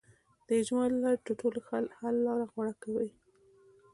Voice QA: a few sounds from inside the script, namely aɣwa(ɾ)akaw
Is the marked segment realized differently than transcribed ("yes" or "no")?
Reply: yes